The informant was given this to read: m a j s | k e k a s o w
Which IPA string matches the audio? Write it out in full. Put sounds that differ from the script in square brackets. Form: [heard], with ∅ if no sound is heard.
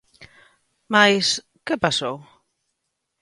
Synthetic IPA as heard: m a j s | k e [p] a s o w